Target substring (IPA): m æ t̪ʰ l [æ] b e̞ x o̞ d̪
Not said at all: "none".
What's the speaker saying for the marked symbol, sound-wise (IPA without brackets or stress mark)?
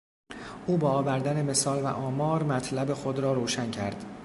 æ